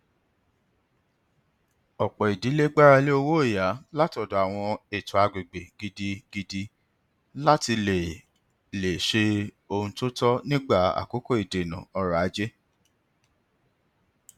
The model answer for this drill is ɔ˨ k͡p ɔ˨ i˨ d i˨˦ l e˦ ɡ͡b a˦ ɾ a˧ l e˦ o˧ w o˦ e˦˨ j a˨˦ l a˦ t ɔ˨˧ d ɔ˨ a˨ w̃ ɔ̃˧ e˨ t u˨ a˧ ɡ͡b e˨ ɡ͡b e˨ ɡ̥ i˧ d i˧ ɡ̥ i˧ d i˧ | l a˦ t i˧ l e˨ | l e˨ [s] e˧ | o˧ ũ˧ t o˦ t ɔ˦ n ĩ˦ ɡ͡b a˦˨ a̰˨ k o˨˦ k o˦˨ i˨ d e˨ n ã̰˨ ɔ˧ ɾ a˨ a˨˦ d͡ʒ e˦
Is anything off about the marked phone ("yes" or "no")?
yes